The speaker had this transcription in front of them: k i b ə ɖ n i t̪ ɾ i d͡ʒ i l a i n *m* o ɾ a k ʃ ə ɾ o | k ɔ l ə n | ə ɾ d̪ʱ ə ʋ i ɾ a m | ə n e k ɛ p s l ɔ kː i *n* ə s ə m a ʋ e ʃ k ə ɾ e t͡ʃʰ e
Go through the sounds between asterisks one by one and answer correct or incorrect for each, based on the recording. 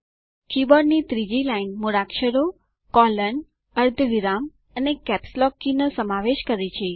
correct, correct

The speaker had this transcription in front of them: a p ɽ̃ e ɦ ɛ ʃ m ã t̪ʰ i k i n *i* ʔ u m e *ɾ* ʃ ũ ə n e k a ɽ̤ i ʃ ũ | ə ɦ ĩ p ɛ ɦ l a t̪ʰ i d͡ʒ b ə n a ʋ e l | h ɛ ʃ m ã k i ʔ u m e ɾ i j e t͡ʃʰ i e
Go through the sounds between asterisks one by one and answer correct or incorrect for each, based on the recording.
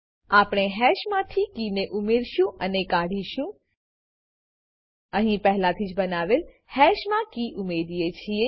incorrect: e, correct

